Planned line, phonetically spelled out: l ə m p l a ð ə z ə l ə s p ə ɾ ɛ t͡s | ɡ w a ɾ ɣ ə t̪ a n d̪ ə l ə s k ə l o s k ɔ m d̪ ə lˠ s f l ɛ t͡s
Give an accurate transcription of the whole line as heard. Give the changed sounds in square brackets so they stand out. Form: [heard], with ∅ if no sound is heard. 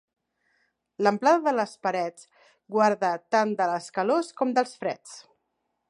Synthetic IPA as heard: l ə m p l a ð ə [ð] ə l ə s p ə ɾ ɛ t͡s | ɡ w a ɾ [ð] ə t̪ a n d̪ ə l ə s k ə l o s k ɔ m d̪ ə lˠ s f [ɾ] ɛ t͡s